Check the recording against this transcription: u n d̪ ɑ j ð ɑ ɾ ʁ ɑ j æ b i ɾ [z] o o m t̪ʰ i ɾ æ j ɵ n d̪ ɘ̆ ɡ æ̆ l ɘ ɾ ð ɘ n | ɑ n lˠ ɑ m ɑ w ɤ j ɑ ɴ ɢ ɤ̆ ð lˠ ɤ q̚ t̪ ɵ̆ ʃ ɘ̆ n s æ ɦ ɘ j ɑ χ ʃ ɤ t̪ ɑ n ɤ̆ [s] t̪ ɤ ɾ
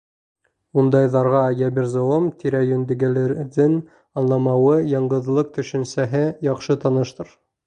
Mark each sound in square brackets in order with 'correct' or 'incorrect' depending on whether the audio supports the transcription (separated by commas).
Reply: correct, incorrect